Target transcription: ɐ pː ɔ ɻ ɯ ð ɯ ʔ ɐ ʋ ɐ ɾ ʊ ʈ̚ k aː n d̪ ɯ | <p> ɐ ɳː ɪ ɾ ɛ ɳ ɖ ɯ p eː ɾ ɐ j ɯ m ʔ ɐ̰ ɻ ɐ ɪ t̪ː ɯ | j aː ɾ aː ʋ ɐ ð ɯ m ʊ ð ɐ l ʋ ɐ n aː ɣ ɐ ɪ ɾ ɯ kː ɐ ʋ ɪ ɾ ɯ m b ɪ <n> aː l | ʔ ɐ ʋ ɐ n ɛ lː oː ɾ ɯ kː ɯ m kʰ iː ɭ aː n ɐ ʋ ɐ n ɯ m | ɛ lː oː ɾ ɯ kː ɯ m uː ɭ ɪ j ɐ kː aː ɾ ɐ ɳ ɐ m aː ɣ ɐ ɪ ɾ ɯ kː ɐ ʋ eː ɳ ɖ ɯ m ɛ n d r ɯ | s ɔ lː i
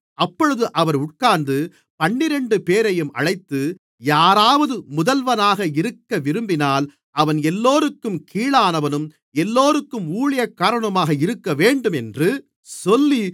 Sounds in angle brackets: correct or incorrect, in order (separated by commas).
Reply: correct, correct